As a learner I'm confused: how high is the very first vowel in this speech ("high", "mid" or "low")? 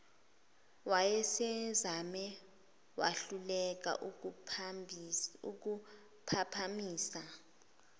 low